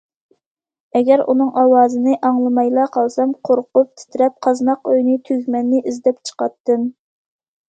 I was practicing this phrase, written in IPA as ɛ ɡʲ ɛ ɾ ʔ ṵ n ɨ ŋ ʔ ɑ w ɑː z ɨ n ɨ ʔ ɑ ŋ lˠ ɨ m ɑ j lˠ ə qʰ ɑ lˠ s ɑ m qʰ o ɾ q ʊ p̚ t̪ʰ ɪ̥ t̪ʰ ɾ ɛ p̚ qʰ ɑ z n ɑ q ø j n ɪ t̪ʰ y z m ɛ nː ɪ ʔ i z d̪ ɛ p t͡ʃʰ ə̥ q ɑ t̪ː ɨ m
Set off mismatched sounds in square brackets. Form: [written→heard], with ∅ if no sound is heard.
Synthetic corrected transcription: ɛ ɡʲ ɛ ɾ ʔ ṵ n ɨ ŋ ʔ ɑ w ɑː z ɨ n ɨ ʔ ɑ ŋ lˠ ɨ m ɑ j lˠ [ə→ɑ] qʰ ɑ lˠ s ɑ m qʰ o ɾ q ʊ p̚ t̪ʰ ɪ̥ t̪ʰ ɾ ɛ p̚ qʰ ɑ z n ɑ q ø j n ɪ t̪ʰ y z m ɛ nː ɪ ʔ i z d̪ ɛ p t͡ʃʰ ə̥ q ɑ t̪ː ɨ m